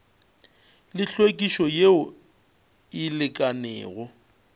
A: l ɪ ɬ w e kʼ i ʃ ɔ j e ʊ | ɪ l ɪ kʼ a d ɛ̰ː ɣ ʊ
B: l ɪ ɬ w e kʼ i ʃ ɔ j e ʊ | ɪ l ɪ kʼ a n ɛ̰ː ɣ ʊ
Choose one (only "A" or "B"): B